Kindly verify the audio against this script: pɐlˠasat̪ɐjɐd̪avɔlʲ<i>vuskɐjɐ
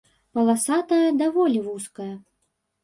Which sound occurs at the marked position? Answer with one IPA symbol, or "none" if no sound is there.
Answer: i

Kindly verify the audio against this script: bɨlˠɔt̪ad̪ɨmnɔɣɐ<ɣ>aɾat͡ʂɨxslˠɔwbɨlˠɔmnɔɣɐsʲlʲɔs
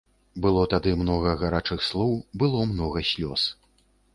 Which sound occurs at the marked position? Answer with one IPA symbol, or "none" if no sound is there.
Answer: ɣ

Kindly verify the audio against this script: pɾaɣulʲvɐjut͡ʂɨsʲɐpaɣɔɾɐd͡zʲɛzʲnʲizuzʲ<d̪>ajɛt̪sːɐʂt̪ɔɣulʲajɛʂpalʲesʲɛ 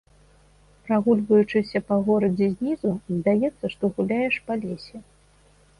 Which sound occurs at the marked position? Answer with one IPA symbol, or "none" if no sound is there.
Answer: d̪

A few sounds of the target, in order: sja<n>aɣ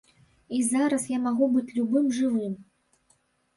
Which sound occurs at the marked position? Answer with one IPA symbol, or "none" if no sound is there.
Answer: m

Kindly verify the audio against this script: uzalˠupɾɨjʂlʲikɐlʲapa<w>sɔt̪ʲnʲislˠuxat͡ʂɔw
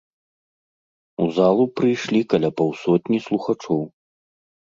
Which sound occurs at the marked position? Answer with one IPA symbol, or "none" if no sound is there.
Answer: w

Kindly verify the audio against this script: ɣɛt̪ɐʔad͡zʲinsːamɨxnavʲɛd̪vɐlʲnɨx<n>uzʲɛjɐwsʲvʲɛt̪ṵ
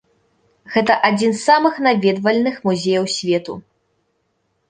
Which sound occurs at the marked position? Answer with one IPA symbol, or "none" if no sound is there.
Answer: m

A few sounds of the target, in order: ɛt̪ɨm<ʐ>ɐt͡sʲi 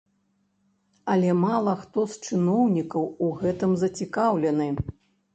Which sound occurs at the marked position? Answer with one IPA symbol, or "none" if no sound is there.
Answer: z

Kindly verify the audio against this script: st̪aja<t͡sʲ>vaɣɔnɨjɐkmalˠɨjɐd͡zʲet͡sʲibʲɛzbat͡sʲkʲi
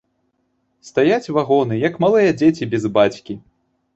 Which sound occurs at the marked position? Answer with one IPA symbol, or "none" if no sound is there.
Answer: t͡sʲ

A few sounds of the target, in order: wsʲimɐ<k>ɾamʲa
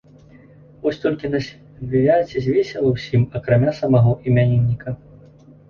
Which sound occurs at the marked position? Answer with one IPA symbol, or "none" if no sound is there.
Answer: k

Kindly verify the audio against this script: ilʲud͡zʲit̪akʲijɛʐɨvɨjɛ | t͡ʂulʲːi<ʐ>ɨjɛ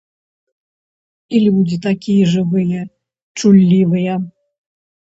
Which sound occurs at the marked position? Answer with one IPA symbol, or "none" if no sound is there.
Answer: v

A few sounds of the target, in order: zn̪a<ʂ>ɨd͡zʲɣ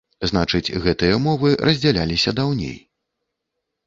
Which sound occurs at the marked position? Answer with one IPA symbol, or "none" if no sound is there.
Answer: t͡ʂ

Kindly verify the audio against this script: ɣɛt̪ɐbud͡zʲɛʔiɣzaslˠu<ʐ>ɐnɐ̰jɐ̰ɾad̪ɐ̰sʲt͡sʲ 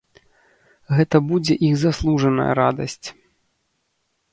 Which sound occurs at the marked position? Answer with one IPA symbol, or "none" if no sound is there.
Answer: ʐ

